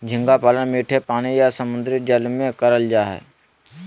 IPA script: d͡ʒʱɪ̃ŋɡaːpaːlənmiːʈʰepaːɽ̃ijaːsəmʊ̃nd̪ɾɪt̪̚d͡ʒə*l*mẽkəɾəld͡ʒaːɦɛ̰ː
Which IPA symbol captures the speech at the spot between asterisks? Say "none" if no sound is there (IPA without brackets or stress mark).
l